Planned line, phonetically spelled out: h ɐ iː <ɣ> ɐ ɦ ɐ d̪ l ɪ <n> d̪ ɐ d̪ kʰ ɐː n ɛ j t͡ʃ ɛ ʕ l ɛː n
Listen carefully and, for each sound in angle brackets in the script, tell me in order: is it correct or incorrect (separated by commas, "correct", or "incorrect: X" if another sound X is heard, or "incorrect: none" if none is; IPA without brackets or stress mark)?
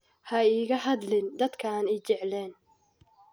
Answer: correct, correct